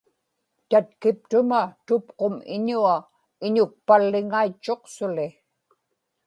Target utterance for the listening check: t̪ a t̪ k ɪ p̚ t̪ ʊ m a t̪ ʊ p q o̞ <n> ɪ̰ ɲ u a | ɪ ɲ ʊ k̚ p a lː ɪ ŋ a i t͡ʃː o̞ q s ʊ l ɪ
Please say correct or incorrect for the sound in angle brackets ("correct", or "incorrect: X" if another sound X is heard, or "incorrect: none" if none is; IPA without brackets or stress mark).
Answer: incorrect: m